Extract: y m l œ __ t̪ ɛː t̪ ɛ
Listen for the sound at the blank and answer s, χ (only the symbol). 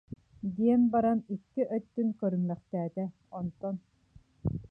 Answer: χ